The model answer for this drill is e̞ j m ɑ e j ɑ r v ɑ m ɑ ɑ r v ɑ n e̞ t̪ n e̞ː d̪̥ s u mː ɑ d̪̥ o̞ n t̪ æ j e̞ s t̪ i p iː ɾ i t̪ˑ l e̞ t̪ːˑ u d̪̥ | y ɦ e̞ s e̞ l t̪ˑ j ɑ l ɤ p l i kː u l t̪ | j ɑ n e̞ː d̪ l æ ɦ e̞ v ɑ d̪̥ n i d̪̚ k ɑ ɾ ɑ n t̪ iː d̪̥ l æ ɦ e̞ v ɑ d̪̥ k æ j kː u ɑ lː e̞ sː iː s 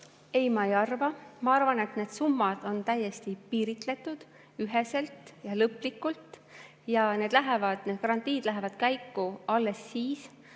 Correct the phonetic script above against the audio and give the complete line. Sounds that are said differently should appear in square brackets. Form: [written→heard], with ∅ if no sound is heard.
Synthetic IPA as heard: e̞ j m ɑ e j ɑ r v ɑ m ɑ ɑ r v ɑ n e̞ t̪ n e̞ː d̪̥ s u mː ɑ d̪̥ o̞ n t̪ æ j e̞ s t̪ i p iː ɾ i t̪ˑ l e̞ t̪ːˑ u d̪̥ | y ɦ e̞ s e̞ l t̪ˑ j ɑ l ɤ p l i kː u l t̪ | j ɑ n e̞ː d̪ l æ ɦ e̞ v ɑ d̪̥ n [i→e] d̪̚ k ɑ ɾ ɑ n t̪ iː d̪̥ l æ ɦ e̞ v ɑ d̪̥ k æ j kː u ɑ lː e̞ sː iː s